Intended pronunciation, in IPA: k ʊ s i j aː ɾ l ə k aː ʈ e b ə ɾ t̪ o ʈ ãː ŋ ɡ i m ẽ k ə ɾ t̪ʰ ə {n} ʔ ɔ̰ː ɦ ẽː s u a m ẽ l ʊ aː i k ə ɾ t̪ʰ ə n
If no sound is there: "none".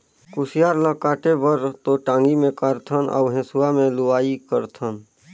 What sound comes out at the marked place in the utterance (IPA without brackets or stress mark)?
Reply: n